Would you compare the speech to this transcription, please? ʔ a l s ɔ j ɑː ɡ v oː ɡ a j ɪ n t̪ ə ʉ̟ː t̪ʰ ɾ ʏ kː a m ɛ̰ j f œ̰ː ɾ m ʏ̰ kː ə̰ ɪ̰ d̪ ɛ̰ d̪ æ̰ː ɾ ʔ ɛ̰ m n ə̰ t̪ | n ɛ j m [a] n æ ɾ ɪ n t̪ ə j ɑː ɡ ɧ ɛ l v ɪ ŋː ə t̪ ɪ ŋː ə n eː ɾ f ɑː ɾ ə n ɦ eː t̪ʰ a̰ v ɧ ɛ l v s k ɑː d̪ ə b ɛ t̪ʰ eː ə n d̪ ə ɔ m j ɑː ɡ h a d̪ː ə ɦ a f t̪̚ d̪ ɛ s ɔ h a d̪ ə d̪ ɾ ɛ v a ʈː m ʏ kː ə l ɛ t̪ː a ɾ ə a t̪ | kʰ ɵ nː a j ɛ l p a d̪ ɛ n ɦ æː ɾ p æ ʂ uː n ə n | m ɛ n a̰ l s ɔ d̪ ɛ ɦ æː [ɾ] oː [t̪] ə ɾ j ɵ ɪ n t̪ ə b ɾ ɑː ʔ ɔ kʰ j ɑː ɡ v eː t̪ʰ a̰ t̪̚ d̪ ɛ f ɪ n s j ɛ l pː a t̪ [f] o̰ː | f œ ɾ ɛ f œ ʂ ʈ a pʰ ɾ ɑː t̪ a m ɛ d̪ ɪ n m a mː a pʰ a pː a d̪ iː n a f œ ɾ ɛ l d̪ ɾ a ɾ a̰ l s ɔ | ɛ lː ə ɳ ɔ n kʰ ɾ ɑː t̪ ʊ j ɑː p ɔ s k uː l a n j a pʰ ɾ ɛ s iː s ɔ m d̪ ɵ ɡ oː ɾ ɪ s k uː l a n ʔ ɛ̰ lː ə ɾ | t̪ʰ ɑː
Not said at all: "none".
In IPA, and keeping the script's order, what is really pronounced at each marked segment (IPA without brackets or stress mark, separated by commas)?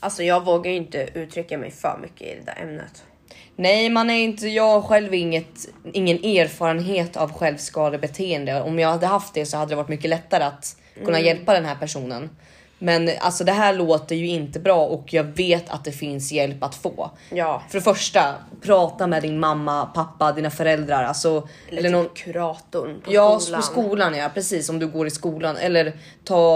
a, ɭ, t̪, f